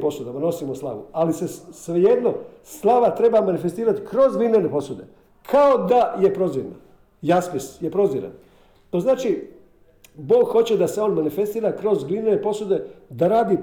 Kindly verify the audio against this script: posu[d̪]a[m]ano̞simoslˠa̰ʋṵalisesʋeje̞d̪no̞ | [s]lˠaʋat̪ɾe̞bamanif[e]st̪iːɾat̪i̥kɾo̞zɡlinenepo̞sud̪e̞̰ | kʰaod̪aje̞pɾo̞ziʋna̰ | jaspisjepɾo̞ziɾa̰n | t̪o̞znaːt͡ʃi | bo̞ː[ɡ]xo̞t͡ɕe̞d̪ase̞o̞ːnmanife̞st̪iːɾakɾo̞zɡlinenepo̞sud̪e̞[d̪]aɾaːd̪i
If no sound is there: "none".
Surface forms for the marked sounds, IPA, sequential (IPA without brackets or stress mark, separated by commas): d̪, m, s, e, ɡ, d̪